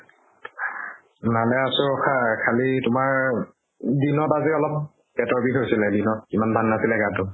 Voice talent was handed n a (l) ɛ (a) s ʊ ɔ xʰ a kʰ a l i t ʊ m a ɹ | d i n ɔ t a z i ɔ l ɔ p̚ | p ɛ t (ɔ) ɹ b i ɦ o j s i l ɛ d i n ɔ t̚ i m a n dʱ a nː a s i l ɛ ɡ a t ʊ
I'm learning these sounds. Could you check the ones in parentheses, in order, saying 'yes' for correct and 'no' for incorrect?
yes, yes, yes

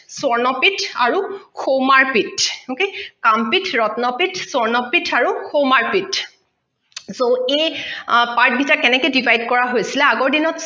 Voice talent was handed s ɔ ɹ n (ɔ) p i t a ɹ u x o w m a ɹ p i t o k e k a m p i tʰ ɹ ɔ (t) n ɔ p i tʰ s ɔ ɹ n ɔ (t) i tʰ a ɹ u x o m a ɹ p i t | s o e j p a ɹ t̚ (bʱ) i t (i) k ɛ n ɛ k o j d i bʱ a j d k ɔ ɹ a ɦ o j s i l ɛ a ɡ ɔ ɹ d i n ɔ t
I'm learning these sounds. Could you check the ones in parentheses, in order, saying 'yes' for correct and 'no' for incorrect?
yes, yes, no, yes, no

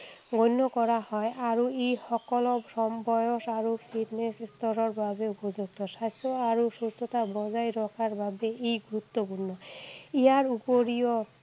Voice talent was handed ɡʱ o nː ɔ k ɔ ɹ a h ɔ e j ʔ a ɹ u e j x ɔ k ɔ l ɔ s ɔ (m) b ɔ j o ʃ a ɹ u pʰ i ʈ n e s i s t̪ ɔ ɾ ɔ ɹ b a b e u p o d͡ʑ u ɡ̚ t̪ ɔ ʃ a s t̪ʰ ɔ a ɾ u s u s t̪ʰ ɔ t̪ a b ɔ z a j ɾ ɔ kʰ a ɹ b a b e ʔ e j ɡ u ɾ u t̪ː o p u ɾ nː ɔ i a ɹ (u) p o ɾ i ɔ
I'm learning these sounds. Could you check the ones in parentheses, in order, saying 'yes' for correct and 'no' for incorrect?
yes, yes

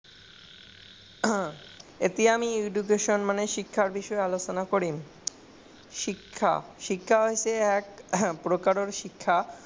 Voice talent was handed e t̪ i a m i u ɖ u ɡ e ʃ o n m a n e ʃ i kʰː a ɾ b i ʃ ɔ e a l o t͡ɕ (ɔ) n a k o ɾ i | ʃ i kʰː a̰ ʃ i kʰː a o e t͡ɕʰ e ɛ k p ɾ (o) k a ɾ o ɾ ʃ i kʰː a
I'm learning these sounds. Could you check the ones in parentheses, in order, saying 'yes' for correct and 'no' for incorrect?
no, yes

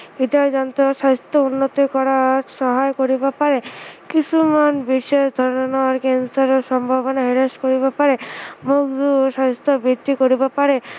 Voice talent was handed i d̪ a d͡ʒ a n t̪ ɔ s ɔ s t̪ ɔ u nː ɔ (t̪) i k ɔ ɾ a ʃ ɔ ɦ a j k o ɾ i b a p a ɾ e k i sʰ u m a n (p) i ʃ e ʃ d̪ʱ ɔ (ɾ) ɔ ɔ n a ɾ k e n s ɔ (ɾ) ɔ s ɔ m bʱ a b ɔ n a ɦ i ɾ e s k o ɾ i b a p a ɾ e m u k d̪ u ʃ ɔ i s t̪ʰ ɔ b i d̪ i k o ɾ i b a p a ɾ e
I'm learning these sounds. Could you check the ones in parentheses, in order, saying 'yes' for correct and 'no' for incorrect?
yes, no, yes, yes

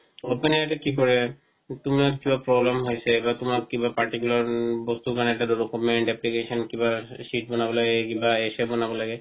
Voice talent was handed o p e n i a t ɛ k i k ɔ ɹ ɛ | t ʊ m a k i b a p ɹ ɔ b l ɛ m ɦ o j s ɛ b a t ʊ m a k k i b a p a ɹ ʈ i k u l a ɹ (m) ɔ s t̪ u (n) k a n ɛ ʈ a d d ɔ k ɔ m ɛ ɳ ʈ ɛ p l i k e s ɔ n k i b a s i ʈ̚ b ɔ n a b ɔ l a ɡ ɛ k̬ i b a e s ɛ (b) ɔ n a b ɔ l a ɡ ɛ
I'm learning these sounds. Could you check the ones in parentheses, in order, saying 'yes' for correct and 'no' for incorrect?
no, no, yes

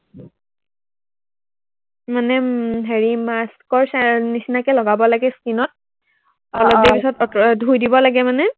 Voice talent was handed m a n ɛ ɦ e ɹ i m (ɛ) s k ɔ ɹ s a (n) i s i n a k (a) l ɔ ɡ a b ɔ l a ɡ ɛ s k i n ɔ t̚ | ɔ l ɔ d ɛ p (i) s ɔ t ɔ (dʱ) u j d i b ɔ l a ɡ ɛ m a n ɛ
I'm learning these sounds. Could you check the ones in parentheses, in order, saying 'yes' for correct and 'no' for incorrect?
no, yes, no, yes, yes

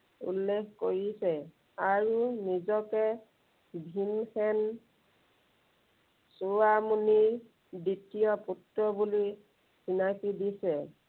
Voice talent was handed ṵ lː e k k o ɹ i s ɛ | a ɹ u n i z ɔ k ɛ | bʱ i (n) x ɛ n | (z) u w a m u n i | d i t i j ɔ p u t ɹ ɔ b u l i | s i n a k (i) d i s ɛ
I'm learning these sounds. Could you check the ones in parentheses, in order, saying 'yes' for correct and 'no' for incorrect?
yes, no, yes

